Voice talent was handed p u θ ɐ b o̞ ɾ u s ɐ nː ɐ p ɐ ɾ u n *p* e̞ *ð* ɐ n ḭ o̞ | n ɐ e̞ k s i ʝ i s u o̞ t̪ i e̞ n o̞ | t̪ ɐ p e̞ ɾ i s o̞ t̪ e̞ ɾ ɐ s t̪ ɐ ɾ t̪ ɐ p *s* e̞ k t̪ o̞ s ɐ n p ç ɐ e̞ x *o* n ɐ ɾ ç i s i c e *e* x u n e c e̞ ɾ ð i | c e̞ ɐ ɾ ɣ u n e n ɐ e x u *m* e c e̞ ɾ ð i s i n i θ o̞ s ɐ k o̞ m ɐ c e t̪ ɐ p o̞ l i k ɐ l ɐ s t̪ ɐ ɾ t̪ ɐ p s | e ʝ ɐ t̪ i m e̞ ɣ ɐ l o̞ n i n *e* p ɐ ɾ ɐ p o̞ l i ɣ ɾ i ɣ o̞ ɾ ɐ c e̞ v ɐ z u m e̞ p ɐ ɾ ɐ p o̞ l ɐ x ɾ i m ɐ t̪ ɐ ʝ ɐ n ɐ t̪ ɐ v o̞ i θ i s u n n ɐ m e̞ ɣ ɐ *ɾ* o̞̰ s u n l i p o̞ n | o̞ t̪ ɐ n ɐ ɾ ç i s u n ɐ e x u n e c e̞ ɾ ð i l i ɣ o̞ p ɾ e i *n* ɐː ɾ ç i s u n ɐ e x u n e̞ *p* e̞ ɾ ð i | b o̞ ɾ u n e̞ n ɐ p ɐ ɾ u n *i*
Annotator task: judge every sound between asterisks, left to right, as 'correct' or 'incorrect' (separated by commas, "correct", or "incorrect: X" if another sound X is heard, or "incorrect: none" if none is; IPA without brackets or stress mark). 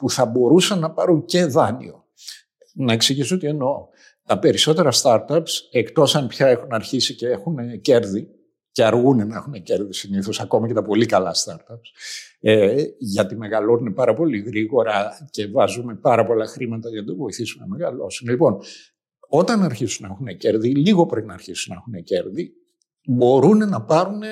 incorrect: c, correct, correct, incorrect: u, correct, incorrect: n, correct, incorrect: l, correct, incorrect: c, incorrect: e